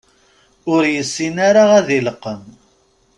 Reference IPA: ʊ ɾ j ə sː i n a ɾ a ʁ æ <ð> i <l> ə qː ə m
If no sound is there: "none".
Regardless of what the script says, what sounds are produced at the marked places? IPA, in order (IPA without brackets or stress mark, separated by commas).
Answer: ð, l